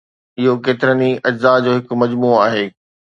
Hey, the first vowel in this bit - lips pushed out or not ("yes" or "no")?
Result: no